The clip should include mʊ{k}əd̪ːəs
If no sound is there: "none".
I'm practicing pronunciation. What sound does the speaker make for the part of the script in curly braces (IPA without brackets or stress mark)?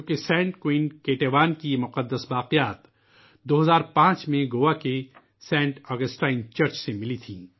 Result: q